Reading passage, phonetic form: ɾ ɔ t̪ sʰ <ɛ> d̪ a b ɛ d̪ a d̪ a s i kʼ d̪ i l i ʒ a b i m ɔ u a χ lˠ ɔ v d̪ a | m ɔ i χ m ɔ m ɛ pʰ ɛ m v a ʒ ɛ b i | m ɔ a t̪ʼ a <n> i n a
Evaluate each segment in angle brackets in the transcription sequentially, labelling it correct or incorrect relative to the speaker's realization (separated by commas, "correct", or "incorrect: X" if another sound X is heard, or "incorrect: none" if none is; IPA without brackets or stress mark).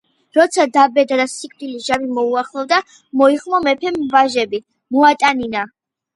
incorrect: a, correct